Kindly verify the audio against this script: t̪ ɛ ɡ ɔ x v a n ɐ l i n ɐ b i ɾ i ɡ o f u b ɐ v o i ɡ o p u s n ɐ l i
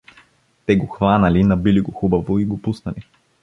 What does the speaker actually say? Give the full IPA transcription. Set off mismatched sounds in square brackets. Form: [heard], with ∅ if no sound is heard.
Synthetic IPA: t̪ ɛ ɡ [o] x v a n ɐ l i n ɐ b i [l] i ɡ o [x] u b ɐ v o i ɡ o p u s n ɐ l i